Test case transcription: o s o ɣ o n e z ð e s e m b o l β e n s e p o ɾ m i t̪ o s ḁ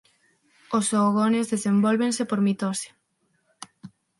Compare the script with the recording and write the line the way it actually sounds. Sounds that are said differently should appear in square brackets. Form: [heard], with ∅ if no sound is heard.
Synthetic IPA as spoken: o s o ɣ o n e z ð e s e m b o l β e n s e p o ɾ m i t̪ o s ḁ